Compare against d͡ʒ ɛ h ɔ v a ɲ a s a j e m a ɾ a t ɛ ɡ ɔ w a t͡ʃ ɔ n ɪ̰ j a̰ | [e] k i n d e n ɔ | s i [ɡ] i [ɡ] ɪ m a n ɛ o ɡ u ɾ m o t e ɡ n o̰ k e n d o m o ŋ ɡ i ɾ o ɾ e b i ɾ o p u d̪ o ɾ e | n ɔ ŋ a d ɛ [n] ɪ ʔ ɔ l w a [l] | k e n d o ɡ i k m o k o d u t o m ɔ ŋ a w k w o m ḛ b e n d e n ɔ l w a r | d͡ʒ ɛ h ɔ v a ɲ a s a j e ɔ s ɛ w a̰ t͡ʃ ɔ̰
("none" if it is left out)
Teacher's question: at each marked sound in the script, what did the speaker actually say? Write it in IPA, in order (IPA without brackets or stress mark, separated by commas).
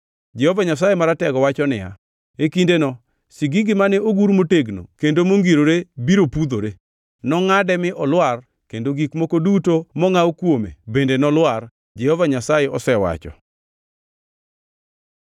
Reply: e, ɡ, ɡ, m, r